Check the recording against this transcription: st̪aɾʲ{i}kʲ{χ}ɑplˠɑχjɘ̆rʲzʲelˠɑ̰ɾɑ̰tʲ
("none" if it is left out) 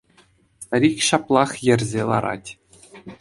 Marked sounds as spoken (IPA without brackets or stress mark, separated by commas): i, ɕ